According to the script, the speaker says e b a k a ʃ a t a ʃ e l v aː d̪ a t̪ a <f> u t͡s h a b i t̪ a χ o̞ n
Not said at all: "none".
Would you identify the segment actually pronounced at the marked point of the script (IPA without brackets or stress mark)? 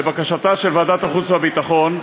χ